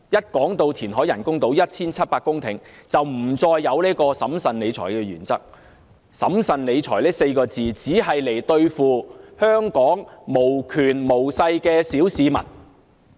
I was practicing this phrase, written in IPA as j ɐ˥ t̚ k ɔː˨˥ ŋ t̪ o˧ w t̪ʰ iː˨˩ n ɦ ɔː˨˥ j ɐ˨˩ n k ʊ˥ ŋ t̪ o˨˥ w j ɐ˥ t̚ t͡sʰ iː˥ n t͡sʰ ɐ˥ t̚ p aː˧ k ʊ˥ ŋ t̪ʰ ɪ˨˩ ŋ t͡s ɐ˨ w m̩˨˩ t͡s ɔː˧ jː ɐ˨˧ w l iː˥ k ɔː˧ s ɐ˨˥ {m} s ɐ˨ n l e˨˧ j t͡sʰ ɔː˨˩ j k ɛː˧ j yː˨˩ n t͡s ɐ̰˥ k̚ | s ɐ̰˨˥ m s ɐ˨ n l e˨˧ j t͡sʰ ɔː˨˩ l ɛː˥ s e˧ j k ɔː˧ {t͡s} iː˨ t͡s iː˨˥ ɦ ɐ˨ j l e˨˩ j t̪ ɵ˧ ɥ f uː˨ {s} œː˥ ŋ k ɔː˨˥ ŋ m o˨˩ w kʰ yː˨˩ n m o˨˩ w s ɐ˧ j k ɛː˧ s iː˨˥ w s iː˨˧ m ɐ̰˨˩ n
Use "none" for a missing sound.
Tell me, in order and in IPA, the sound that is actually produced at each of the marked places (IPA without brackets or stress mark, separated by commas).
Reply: m, t͡s, h